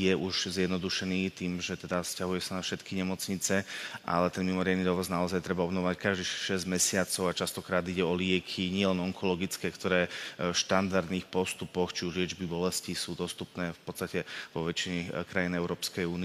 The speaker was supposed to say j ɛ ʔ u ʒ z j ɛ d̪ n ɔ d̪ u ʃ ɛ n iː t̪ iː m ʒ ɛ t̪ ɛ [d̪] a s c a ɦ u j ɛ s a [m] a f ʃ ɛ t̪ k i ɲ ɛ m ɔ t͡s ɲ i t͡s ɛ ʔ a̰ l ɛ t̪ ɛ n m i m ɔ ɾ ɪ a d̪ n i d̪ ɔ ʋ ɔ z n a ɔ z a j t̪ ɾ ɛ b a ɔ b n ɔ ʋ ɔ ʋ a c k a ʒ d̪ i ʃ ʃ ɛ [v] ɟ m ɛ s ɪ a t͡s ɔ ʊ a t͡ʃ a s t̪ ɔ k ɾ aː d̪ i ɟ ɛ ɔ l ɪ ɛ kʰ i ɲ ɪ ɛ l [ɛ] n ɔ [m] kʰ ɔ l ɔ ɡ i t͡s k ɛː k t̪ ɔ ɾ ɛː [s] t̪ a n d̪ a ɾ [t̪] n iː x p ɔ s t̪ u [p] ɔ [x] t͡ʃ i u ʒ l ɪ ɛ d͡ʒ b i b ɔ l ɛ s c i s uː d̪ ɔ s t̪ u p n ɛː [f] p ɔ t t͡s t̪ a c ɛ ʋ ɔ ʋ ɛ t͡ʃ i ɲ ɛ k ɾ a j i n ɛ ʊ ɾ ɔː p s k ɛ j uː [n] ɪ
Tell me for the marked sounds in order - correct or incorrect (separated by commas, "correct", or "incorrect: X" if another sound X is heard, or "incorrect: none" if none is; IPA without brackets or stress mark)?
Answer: correct, incorrect: n, incorrect: z, correct, incorrect: ŋ, incorrect: ʃ, incorrect: d̪, correct, correct, correct, correct